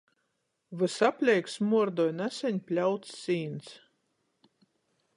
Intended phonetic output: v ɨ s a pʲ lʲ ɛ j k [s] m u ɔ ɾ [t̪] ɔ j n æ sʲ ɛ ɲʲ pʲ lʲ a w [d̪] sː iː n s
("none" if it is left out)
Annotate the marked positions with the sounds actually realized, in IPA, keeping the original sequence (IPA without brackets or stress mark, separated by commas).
s, d̪, t̪